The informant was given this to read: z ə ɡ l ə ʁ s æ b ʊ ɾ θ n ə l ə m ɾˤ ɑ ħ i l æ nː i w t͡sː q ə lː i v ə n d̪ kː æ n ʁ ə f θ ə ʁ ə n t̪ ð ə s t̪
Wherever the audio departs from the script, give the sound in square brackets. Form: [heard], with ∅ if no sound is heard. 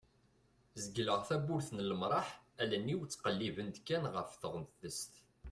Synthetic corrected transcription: z ə ɡ l ə ʁ [θ] æ b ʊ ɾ θ n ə l ə m ɾˤ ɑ ħ [æ] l æ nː i w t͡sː q ə lː i v ə n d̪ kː æ n ʁ ə f θ ə ʁ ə n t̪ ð ə s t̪